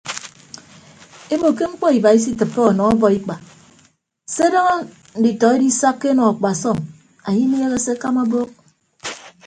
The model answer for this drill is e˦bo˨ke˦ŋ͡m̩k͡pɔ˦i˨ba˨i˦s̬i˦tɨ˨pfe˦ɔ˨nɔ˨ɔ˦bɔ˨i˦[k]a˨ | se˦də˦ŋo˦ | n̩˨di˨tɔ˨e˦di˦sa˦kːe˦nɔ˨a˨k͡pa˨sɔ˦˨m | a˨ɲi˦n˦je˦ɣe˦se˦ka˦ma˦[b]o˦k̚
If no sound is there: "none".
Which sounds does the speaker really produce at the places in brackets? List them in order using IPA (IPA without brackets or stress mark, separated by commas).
k͡p, b